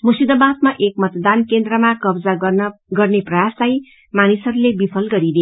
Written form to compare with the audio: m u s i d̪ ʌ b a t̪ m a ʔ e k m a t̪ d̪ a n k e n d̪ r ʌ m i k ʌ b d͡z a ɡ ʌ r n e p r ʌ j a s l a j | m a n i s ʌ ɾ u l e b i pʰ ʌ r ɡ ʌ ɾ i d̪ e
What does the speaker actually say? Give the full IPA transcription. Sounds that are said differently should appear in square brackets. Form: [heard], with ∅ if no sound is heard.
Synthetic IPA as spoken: m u s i d̪ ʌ b a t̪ m a ʔ e k m [ʌ] t̪ d̪ a n k e n d̪ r ʌ m [a] k ʌ b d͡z a ɡ ʌ r n e p r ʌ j a s l a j | m a n i s ʌ ɾ u l e b i pʰ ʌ [l] ɡ ʌ ɾ i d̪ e